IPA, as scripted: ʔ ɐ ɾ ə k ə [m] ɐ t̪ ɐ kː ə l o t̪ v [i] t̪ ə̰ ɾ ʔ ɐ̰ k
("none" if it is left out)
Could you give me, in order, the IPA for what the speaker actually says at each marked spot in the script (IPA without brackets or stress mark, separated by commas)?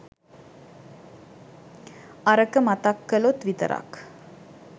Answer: m, i